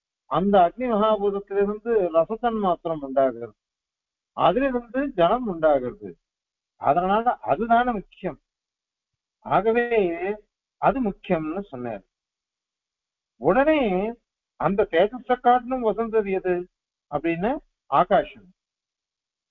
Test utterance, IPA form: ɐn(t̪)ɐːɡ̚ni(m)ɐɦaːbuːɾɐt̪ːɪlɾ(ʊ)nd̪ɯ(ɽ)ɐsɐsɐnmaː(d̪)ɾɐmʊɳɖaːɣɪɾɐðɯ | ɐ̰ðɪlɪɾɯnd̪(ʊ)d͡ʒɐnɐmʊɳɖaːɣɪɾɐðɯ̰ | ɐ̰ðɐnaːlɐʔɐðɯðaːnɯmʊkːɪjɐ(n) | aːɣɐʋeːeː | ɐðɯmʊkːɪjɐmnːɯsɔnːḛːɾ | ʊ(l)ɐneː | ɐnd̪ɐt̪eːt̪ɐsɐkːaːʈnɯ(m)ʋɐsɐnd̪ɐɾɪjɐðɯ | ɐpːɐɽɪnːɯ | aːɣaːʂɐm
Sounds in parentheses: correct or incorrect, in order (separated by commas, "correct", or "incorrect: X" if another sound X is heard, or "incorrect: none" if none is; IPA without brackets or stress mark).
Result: incorrect: d̪, correct, incorrect: ɯ, incorrect: ɾ, incorrect: t̪, incorrect: ɯ, incorrect: m, incorrect: ɽ, correct